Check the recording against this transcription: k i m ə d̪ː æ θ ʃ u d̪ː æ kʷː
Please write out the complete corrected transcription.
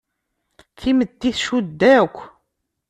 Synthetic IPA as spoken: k i m ə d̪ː i θ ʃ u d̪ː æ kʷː